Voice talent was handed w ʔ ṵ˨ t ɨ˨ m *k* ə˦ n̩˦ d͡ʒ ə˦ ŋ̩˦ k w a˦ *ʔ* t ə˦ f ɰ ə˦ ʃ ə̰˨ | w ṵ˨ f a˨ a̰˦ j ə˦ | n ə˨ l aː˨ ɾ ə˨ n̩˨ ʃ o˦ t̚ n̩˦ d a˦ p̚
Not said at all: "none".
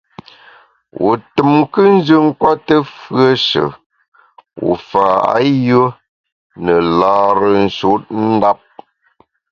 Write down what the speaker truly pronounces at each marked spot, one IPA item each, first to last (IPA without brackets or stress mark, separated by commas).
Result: k, none